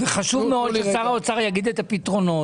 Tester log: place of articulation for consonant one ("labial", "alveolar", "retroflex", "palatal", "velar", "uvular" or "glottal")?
labial